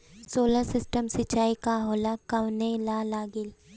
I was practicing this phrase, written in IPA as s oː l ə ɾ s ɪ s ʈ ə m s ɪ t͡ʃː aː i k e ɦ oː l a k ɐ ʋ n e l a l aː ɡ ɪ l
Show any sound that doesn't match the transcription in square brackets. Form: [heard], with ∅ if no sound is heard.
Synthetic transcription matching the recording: s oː l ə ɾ s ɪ s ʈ ə m s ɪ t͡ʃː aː i k [a] ɦ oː l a k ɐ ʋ n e l a l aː ɡ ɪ l